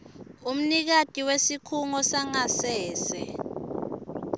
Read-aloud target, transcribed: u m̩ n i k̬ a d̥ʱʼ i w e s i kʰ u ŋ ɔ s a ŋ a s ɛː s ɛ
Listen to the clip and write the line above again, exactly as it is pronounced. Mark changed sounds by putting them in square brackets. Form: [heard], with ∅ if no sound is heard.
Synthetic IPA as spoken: u m̩ n i k̬ a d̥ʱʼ i w e s i kʰ u ŋ ɔ s a ŋ a s ɛː s ɛ